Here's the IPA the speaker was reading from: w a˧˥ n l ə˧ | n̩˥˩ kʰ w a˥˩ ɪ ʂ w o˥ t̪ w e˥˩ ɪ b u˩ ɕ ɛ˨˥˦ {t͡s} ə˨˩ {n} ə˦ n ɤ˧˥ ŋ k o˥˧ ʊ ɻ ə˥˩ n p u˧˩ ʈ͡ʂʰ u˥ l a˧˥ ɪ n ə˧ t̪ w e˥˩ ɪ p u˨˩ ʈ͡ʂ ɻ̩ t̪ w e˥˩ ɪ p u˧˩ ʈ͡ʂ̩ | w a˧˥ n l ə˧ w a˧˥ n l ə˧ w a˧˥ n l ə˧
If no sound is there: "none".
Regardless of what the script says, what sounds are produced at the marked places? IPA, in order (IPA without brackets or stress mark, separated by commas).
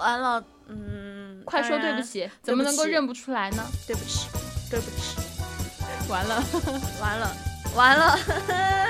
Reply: t͡s, m